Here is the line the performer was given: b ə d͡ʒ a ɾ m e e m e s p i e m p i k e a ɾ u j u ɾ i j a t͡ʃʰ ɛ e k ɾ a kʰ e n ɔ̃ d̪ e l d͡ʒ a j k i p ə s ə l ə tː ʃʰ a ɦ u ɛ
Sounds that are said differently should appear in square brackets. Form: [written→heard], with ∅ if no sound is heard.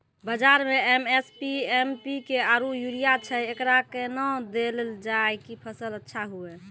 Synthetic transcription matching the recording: b ə d͡ʒ a ɾ m e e m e s p i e m p i k e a ɾ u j u ɾ i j a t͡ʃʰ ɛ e k ɾ a [kʰ→k] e n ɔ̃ d̪ e l d͡ʒ a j k i [p→pʰ] ə s ə l ə tː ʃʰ a ɦ u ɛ